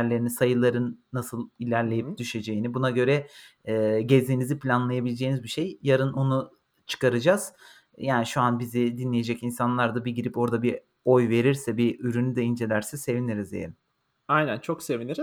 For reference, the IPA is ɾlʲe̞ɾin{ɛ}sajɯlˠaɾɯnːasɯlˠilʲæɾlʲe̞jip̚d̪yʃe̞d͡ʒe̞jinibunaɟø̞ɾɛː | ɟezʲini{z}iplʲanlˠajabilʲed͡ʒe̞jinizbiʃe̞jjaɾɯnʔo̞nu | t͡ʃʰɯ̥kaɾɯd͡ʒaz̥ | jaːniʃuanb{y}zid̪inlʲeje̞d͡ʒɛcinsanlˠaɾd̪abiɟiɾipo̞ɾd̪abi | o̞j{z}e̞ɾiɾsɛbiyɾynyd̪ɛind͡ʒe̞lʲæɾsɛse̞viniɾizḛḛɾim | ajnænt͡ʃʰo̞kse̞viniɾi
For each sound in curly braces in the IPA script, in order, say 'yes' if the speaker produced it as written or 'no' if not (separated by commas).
no, yes, no, no